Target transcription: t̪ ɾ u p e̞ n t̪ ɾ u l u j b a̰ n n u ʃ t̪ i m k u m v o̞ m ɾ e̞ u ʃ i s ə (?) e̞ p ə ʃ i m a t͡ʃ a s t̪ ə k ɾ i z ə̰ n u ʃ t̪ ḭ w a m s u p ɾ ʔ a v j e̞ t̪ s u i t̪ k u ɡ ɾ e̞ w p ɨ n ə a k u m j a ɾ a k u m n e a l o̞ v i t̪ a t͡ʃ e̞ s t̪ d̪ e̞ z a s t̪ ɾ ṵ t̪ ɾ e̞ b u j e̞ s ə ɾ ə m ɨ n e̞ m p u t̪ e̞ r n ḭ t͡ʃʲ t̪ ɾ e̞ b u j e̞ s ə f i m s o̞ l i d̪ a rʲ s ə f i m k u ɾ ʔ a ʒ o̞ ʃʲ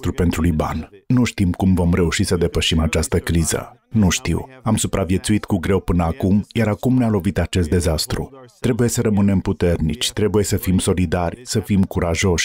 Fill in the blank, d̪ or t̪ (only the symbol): d̪